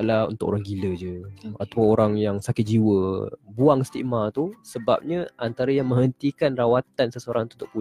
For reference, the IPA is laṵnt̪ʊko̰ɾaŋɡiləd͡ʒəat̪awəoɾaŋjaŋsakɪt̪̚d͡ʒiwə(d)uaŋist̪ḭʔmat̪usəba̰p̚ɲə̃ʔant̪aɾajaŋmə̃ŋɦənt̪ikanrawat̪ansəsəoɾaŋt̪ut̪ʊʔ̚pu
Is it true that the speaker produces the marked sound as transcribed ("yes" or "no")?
no